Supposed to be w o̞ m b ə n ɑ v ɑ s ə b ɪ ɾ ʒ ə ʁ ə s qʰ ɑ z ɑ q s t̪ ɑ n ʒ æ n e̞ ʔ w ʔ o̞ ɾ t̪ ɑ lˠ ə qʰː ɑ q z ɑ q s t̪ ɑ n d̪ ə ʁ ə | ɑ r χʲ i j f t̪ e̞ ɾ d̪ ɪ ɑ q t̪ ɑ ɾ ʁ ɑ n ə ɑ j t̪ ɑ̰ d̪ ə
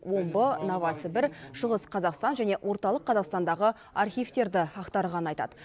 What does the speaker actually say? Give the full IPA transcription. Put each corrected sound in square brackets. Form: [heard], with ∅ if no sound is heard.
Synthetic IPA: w o̞ m b ə n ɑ v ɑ s ə b ɪ ɾ [ʃ] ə ʁ ə s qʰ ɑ z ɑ q s t̪ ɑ n ʒ æ n e̞ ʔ w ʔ o̞ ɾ t̪ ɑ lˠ ə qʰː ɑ [∅] z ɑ q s t̪ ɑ n d̪ [ɑ] ʁ ə | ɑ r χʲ i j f t̪ e̞ ɾ d̪ ɪ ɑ q t̪ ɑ ɾ ʁ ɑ n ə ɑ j t̪ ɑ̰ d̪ ə